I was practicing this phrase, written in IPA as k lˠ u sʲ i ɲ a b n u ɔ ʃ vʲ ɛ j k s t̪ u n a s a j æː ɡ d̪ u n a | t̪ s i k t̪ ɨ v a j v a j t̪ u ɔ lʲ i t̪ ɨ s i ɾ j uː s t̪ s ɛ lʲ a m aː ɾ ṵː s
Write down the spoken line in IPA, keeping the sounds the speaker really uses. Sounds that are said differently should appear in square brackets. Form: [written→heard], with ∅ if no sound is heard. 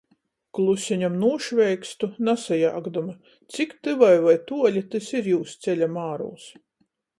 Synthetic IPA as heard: k lˠ u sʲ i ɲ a [b→m] n u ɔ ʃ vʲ ɛ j k s t̪ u n a s a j [æː→aː] ɡ d̪ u [n→m] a | t̪ s i k t̪ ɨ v a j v a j t̪ u ɔ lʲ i t̪ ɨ s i ɾ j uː s t̪ s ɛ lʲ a m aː ɾ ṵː s